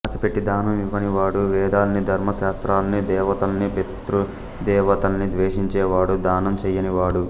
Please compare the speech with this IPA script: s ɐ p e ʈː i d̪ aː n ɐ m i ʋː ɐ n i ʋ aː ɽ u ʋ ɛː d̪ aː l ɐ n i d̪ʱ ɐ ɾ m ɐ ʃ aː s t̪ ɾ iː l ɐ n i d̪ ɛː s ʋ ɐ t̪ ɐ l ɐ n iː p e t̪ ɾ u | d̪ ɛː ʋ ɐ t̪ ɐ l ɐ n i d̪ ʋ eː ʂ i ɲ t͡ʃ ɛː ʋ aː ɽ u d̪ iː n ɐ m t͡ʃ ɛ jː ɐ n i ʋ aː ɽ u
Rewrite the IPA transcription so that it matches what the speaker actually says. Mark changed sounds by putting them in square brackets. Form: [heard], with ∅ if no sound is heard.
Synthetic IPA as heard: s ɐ p e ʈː i d̪ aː n ɐ m i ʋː ɐ n i ʋ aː ɽ u ʋ ɛː d̪ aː l ɐ n i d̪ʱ ɐ ɾ m ɐ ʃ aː s t̪ ɾ [aː] l ɐ n i d̪ ɛː [∅] ʋ ɐ t̪ ɐ l ɐ n [i] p e t̪ ɾ u | d̪ ɛː ʋ ɐ t̪ ɐ l ɐ n i d̪ ʋ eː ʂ i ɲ t͡ʃ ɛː ʋ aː ɽ u d̪ [aː] n ɐ m t͡ʃ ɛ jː ɐ n i ʋ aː ɽ u